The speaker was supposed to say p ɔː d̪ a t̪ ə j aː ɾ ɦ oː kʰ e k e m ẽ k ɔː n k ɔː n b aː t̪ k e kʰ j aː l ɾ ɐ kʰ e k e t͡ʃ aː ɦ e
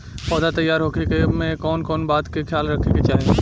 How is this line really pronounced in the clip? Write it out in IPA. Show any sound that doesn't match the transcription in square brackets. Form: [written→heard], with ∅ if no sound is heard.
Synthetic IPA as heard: p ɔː d̪ a t̪ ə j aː ɾ ɦ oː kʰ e k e m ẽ k ɔː n k ɔː n b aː t̪ k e kʰ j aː l ɾ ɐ kʰ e k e t͡ʃ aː ɦ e